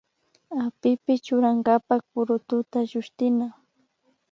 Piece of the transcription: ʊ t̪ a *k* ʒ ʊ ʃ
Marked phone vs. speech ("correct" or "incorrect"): incorrect